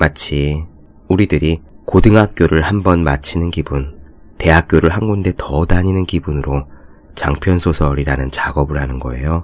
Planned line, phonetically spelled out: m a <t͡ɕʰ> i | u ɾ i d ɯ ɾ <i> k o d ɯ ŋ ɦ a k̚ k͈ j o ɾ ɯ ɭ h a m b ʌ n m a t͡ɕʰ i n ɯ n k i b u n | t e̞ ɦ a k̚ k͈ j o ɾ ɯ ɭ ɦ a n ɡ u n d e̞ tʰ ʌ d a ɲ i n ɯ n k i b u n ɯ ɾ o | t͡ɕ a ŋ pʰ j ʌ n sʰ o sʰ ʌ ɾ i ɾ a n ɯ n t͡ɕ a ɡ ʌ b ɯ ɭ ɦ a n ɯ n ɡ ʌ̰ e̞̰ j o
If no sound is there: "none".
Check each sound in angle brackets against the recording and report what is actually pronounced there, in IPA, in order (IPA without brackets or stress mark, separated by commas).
t͡ɕʰ, i